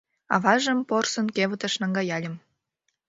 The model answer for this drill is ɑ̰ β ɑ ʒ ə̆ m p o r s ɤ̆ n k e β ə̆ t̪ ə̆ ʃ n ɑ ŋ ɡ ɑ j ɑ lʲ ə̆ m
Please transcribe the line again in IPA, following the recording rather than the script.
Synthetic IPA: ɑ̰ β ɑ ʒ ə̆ m p o r s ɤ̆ n k e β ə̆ t̪ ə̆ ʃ n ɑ ŋ ɡ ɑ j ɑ lʲ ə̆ m